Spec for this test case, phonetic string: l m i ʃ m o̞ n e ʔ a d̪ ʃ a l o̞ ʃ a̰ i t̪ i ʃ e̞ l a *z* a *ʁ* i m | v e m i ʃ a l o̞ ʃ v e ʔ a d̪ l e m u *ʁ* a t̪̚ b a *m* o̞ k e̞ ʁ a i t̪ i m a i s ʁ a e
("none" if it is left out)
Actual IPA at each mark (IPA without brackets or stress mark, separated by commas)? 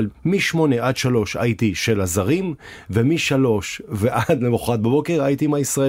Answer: z, ʁ, χ, b